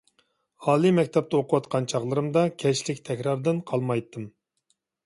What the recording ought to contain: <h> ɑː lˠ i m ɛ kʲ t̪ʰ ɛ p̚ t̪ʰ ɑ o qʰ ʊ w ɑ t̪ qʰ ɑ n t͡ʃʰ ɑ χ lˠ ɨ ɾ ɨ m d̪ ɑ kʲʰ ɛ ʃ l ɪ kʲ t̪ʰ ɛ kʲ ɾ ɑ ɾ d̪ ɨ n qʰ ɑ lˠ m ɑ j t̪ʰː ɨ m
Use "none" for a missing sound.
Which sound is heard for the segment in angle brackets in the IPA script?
h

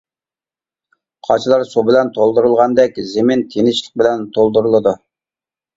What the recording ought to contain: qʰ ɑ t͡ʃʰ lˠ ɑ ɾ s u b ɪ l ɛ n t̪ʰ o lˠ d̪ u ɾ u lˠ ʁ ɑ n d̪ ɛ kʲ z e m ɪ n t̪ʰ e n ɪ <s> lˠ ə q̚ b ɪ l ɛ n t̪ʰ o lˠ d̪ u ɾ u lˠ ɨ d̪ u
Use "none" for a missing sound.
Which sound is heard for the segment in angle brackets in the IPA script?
ʃ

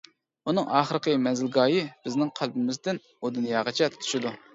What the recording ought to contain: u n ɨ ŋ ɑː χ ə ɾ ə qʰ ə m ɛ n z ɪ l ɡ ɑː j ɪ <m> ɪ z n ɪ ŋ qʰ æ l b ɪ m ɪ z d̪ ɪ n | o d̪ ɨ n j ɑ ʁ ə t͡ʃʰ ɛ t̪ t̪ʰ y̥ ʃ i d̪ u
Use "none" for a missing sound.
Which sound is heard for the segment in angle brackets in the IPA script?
b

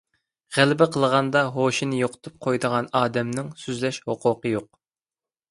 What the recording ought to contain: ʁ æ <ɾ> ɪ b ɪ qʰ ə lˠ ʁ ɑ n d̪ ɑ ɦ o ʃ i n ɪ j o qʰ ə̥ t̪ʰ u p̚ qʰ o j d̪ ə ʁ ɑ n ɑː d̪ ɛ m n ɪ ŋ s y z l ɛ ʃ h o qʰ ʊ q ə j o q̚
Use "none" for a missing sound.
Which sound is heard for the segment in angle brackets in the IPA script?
l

